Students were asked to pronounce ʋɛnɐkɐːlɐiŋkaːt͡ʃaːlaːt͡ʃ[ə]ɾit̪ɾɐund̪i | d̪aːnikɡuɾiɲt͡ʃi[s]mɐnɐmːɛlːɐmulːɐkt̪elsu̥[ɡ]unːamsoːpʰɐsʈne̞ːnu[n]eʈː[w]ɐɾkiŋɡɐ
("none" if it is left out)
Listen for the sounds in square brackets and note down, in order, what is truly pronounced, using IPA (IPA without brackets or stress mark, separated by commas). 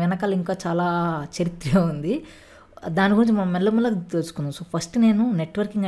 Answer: ɐ, none, k, n, ʋ